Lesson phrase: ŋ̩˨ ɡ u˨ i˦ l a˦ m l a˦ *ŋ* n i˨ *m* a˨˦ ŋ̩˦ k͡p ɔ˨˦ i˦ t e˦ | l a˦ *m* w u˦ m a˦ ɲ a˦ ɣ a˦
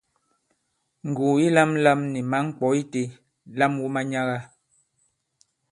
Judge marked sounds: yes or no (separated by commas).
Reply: no, yes, yes